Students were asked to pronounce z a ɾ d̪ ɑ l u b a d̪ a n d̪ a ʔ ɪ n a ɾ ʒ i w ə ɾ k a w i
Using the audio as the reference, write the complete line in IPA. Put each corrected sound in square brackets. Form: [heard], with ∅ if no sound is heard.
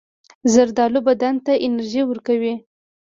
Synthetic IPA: z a ɾ d̪ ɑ l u b a d̪ a n [t̪] a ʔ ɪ n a ɾ ʒ i w ə ɾ k a w i